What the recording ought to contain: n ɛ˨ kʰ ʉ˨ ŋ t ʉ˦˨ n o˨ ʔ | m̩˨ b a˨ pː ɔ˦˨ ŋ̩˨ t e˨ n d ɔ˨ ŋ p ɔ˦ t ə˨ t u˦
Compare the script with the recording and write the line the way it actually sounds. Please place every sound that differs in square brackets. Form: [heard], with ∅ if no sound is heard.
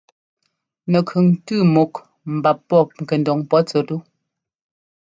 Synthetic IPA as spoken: n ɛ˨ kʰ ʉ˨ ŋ t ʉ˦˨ [m] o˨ [k] | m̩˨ b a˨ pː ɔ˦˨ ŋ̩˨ [k] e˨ n d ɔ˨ ŋ p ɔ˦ [t͡s] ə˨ t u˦